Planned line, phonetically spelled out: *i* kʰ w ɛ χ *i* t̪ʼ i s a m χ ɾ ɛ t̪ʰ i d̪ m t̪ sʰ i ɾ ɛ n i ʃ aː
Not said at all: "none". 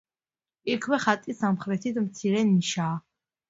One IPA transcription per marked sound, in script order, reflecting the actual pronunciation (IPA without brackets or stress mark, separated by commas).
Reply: i, a